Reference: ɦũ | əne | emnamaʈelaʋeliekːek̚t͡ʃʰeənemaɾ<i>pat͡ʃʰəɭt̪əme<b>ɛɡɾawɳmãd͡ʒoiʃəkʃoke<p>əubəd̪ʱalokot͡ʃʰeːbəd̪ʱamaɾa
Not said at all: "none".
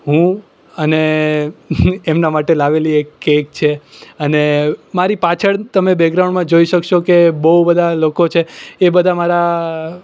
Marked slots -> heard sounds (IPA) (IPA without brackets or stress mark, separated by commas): i, b, b